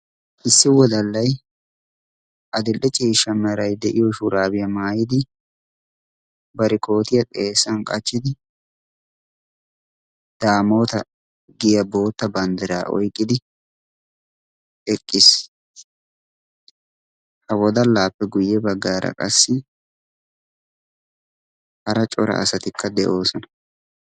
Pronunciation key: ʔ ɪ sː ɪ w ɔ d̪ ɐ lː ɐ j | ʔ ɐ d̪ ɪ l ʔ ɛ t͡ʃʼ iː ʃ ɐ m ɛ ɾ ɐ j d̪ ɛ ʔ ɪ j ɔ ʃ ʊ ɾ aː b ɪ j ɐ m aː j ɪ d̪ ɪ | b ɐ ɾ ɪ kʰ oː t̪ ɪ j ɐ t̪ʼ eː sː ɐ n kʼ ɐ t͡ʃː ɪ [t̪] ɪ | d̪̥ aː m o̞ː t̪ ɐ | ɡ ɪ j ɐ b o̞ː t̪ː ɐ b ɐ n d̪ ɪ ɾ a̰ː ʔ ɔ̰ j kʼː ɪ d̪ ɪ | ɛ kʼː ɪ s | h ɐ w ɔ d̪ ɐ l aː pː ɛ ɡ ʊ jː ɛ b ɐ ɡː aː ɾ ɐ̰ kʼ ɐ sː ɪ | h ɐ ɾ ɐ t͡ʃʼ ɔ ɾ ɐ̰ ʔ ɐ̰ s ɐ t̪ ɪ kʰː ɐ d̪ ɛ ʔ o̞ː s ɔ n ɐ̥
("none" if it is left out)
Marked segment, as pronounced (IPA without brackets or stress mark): d̪